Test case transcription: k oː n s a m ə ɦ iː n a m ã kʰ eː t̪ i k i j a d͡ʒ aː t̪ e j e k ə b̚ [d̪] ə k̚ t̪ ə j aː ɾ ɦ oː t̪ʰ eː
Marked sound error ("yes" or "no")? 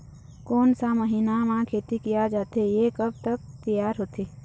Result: yes